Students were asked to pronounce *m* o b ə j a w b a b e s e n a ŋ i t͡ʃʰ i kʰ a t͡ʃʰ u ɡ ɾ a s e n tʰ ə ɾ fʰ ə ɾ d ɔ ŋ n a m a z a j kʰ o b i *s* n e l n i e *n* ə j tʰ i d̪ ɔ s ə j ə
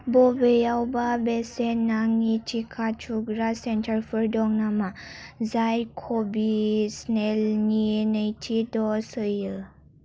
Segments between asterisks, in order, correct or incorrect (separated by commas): incorrect, correct, correct